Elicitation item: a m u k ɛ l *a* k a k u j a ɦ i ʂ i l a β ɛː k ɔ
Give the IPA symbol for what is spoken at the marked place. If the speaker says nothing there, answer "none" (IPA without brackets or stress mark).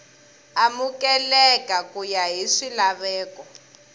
ɛ